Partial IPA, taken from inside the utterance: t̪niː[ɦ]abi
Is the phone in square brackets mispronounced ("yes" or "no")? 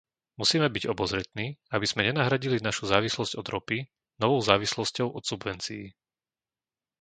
yes